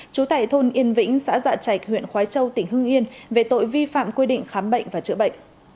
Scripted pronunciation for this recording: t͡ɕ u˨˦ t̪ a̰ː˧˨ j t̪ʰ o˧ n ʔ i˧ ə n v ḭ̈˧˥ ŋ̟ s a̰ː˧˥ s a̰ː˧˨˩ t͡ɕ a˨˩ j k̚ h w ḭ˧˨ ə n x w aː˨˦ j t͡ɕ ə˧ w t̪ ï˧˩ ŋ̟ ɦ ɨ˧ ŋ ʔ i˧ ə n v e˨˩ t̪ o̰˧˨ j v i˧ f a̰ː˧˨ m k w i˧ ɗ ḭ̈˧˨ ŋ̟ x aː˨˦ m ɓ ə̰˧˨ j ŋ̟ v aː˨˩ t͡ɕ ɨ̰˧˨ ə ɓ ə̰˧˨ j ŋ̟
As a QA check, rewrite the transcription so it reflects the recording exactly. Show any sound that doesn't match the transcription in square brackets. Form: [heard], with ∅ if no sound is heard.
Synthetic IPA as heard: t͡ɕ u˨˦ t̪ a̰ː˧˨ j t̪ʰ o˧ n ʔ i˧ ə n v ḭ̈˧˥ ŋ̟ s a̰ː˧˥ [z] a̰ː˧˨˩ t͡ɕ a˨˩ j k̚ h w ḭ˧˨ ə n x w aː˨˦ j t͡ɕ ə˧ w t̪ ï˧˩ ŋ̟ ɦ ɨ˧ ŋ ʔ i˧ ə n v e˨˩ t̪ o̰˧˨ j v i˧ f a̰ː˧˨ m k w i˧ ɗ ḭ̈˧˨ ŋ̟ x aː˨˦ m ɓ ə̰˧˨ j ŋ̟ v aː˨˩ t͡ɕ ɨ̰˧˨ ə ɓ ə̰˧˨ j ŋ̟